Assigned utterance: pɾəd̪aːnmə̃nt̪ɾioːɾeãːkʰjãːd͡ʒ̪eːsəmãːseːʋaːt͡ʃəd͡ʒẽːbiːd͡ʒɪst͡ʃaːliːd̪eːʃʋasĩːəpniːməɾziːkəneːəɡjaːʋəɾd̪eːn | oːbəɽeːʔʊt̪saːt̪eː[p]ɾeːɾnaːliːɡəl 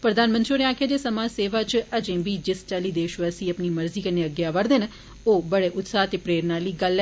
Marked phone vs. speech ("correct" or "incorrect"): correct